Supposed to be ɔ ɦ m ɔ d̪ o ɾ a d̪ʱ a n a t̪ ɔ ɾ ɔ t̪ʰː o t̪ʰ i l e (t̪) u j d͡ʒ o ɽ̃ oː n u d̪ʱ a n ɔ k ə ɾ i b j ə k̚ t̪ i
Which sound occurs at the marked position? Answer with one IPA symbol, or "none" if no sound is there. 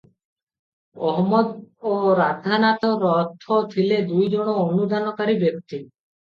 d̪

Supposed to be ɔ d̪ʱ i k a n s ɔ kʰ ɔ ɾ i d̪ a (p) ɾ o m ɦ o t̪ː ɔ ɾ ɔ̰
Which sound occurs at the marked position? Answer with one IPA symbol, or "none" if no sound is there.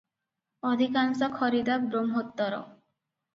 b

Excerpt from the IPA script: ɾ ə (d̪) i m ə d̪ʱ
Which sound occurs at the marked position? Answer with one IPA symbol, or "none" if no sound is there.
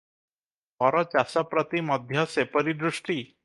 t̪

